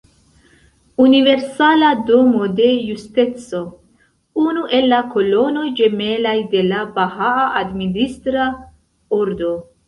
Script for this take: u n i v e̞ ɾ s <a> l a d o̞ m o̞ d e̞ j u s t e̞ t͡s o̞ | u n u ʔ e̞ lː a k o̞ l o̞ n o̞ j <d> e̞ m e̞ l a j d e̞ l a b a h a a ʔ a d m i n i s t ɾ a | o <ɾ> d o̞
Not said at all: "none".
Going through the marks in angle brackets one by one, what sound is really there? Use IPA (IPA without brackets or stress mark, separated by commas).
a, d͡ʒ, ɾ